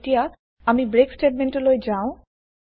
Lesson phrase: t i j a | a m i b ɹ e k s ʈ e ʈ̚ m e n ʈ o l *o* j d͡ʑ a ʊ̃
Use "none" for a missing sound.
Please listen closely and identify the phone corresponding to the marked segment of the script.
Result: o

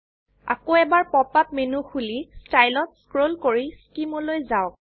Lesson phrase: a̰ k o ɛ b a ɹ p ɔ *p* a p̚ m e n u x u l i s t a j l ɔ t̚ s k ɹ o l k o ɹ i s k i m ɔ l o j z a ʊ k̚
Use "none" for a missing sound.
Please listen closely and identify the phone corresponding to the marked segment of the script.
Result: p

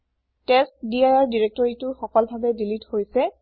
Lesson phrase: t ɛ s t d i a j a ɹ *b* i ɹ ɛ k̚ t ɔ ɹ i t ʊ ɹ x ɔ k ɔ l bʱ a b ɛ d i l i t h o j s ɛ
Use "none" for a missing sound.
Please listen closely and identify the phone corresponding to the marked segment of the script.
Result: d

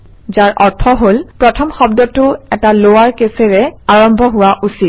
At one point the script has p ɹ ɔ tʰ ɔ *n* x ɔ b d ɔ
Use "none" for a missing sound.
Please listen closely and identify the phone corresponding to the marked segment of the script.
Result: m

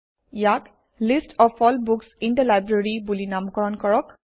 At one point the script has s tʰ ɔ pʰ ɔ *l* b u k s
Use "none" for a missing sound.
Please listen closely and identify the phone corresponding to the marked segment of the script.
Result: l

